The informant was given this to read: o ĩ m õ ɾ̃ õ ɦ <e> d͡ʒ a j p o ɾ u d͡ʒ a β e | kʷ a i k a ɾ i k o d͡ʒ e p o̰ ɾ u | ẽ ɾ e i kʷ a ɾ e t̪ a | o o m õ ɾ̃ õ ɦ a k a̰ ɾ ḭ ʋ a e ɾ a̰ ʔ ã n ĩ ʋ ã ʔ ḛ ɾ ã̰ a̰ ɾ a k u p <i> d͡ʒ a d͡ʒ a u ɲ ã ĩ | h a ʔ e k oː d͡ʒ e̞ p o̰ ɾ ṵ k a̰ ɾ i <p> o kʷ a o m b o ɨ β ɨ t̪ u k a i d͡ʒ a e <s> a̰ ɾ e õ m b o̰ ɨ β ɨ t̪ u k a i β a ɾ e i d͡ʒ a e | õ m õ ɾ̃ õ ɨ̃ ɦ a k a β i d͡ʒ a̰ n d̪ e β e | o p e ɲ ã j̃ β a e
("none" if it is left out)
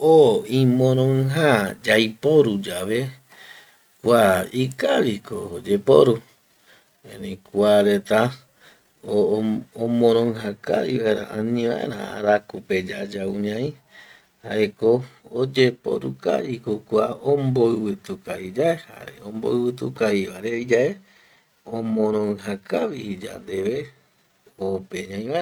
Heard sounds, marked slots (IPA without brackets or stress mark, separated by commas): a, e, k, h